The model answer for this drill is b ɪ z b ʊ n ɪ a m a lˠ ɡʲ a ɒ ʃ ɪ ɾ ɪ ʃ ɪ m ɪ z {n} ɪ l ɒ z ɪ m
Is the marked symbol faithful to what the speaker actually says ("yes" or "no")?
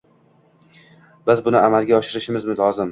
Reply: no